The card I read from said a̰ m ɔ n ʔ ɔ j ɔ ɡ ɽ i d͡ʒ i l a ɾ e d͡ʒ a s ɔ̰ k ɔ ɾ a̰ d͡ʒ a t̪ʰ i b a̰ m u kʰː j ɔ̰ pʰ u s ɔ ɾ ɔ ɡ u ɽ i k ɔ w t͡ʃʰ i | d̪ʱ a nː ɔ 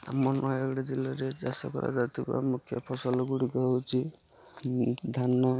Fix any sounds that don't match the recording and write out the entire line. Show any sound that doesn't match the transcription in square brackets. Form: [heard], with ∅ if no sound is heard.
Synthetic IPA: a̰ m ɔ n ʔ ɔ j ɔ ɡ ɽ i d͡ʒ i l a ɾ e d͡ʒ a s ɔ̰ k ɔ ɾ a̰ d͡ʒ a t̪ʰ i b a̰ m u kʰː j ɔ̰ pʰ [ɔ] s ɔ [l] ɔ ɡ u ɽ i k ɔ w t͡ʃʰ i | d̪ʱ a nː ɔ